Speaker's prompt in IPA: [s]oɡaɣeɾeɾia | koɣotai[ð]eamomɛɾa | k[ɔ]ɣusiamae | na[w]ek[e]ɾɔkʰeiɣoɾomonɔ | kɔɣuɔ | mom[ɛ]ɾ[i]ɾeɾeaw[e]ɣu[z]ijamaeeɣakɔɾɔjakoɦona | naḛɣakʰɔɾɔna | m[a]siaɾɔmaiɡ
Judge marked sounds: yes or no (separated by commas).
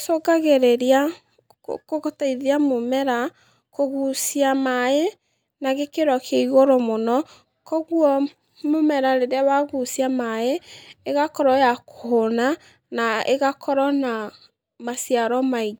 yes, yes, no, no, yes, yes, no, no, no, yes